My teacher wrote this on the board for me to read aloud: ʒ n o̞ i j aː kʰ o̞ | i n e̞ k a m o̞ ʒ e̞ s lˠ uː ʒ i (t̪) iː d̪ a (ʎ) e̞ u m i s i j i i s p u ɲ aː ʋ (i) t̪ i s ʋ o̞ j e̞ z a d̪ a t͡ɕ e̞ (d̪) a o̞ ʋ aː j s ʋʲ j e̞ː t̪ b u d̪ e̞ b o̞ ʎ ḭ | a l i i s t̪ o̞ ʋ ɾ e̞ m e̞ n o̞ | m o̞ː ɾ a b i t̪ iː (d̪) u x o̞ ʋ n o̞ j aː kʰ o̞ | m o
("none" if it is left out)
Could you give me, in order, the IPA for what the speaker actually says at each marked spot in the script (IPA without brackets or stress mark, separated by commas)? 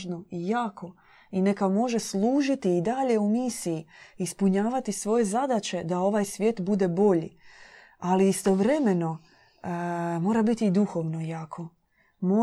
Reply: t̪, ʎ, a, d̪, d̪